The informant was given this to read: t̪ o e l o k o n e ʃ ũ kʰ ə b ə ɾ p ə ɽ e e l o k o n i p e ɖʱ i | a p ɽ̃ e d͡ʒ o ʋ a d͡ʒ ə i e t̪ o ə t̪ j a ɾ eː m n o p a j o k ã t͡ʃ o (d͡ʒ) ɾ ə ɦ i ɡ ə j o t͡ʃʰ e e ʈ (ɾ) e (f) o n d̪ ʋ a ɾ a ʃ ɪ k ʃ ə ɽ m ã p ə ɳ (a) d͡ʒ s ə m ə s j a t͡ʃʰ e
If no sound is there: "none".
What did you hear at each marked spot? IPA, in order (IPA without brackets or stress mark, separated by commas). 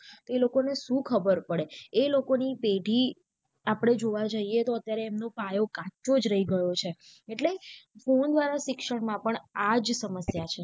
d͡ʒ, l, f, a